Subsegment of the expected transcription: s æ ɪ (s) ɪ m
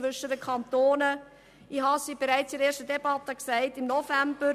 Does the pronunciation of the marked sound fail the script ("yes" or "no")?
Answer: yes